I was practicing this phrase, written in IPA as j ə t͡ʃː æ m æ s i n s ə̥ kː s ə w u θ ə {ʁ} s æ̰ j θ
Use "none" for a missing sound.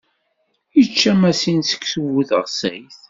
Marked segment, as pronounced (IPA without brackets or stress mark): ʁ